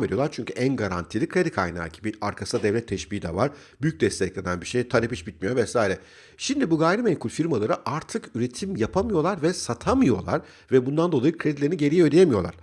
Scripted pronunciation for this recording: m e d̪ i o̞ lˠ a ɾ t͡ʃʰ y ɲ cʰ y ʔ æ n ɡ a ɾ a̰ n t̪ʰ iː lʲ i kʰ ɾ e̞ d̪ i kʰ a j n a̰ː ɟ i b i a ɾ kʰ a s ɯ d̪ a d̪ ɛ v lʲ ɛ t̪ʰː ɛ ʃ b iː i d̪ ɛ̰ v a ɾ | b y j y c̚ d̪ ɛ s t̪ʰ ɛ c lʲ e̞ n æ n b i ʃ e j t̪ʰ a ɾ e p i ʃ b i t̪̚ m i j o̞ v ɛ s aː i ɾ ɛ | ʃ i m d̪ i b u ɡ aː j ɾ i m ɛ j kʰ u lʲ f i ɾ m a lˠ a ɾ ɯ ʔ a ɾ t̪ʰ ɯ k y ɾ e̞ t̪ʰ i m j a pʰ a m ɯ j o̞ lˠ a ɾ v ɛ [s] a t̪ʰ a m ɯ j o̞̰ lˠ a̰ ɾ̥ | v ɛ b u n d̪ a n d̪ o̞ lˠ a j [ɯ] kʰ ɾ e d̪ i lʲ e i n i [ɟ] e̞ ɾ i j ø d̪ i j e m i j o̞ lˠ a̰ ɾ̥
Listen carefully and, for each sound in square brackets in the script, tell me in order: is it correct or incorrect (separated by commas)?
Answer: correct, correct, correct